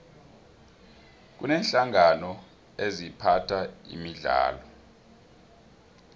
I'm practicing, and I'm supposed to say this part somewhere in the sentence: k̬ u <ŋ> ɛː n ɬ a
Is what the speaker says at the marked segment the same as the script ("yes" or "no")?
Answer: no